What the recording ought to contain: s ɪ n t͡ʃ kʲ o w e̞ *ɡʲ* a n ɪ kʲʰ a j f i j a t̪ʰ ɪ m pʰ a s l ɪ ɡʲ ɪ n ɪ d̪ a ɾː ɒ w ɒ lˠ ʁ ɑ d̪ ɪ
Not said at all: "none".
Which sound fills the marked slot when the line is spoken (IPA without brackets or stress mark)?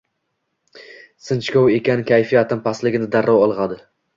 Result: kʲ